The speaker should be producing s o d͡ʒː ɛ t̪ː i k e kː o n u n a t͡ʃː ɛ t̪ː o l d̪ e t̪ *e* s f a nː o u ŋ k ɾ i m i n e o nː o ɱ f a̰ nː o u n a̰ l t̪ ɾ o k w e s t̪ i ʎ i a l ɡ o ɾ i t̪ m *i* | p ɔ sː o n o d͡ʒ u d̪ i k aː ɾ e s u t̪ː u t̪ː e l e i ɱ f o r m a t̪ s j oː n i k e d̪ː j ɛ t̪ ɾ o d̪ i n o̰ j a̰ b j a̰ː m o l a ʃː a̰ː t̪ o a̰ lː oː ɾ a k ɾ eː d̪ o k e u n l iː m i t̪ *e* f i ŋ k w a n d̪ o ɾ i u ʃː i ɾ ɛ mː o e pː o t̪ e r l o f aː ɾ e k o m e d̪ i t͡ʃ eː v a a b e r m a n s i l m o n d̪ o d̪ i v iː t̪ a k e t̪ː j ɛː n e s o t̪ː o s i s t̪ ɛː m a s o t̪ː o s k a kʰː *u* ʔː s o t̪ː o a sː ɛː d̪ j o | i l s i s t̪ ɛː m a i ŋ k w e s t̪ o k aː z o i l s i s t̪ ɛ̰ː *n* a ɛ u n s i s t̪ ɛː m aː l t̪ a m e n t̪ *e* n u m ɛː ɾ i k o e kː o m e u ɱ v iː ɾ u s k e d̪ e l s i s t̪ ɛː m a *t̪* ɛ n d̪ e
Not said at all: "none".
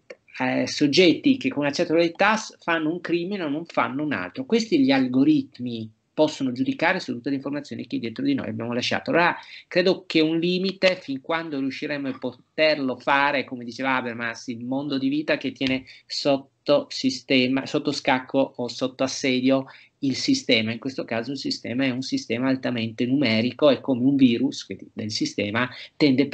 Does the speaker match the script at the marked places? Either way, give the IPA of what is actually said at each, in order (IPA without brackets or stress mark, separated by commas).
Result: a, i, e, o, m, e, t̪